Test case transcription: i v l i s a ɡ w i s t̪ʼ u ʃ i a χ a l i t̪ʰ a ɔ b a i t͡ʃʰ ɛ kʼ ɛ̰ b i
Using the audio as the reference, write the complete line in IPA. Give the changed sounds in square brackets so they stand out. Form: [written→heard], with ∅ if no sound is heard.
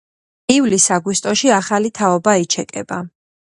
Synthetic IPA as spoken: i v l i s a ɡ w i s t̪ʼ [u→ɔ] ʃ i a χ a l i t̪ʰ a ɔ b a i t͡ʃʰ ɛ kʼ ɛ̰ b [i→a]